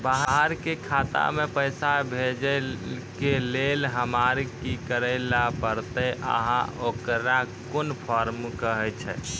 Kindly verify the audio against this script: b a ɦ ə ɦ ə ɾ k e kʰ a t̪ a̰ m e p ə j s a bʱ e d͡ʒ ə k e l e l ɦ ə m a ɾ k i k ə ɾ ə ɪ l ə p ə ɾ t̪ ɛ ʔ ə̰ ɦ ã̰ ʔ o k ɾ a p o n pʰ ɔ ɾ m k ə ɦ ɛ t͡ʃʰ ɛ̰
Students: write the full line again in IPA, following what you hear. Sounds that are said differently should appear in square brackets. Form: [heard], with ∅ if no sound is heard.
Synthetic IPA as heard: b a ɦ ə ɦ ə ɾ k e kʰ a t̪ a̰ m e p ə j s a bʱ e d͡ʒ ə k e l e l ɦ ə m a ɾ k i k ə ɾ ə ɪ l [a] p ə ɾ t̪ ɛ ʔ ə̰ ɦ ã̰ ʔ o k ɾ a [k] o n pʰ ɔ ɾ m k ə ɦ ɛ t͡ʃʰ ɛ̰